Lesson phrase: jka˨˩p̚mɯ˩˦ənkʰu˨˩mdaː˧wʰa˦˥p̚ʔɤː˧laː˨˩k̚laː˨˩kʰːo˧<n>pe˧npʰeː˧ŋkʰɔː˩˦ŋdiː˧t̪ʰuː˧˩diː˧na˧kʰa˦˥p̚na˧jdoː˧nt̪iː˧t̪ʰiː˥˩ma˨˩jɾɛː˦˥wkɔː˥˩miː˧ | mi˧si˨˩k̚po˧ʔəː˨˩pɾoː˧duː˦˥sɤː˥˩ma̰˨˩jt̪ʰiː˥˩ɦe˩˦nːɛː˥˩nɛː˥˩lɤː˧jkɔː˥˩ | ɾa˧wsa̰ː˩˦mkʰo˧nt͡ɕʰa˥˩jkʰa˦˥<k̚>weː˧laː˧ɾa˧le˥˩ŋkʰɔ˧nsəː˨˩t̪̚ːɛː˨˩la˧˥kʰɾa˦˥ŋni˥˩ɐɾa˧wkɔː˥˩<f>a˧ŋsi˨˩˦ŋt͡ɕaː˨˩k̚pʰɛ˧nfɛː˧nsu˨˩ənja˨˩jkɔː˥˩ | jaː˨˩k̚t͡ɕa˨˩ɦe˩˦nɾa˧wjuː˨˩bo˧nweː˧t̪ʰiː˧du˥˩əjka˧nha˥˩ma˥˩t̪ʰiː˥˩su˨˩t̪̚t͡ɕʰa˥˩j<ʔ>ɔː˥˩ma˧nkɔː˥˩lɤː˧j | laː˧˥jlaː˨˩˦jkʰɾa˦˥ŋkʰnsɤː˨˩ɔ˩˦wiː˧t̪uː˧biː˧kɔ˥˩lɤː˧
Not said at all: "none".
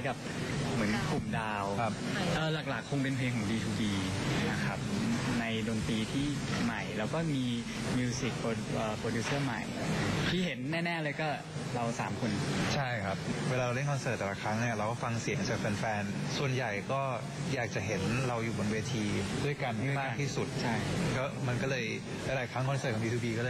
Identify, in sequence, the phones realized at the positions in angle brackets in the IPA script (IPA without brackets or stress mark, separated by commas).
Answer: ŋ, p̚, f, k